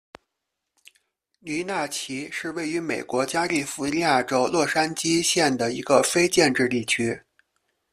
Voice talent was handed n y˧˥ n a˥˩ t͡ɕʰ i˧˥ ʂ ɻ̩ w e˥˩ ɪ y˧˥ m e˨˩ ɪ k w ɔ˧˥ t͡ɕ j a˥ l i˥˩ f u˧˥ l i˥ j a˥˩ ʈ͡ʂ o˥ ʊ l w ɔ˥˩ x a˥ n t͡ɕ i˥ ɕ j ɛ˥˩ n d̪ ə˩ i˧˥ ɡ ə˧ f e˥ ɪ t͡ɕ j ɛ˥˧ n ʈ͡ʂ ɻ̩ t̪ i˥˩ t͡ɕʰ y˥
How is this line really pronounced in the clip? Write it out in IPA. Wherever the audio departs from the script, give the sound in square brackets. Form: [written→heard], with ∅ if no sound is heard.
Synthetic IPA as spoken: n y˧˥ n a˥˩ t͡ɕʰ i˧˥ ʂ ɻ̩ w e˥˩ ɪ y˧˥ m e˨˩ ɪ k w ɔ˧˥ t͡ɕ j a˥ l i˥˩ f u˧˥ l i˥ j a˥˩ ʈ͡ʂ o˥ ʊ l w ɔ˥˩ [x→ʂ] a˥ n t͡ɕ i˥ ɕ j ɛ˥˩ n d̪ ə˩ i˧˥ ɡ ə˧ f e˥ ɪ t͡ɕ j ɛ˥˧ n ʈ͡ʂ ɻ̩ t̪ i˥˩ t͡ɕʰ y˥